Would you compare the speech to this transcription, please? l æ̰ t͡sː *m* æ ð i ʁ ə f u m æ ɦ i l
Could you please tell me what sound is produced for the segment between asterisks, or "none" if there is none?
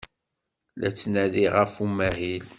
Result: n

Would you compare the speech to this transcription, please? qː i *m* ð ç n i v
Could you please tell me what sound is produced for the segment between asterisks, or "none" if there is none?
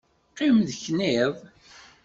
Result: m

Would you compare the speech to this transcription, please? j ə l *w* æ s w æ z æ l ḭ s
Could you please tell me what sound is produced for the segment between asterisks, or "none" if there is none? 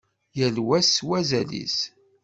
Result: w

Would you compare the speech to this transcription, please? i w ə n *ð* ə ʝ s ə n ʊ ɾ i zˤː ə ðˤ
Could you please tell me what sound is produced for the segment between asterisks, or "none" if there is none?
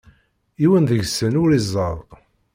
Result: ð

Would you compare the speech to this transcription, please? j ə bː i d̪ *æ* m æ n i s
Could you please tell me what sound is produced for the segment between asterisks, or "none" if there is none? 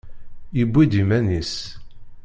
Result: i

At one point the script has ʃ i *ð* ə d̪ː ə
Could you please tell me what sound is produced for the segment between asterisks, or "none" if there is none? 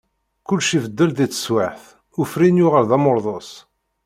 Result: v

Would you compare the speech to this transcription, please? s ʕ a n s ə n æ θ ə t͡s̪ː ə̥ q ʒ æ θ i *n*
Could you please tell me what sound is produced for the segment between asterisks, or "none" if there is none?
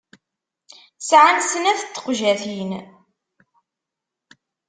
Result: n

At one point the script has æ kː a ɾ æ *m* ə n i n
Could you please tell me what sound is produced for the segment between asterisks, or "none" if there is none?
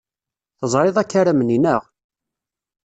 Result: m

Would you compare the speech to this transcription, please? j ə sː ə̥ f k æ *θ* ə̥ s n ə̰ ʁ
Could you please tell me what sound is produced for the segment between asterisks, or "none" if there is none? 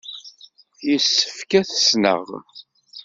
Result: θ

